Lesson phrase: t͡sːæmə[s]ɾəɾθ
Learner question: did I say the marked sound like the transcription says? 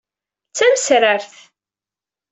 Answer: yes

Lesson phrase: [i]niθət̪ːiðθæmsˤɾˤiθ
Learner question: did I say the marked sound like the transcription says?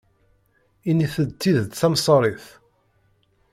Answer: yes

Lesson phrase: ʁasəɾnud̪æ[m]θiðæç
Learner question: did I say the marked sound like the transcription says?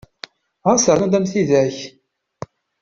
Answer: yes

